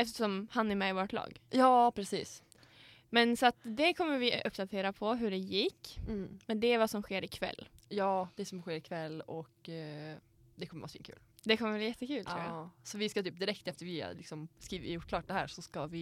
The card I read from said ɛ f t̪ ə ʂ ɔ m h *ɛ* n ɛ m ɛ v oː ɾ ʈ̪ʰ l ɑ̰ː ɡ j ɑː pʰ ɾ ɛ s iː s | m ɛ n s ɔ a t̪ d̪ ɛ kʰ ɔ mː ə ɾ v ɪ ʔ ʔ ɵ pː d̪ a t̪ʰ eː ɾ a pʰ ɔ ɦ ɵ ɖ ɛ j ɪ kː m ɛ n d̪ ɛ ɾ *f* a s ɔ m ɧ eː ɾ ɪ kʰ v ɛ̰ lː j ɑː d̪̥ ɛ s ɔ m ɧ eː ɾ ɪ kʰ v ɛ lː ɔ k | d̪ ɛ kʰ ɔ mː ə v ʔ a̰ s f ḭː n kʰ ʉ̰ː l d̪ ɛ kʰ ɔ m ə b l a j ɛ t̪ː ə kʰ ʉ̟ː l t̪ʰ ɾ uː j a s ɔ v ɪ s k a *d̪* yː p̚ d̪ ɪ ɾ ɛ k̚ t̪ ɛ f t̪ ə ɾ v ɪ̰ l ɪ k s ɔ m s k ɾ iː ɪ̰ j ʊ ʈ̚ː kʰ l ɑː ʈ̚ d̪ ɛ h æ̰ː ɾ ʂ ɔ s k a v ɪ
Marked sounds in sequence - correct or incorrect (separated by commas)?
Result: incorrect, incorrect, incorrect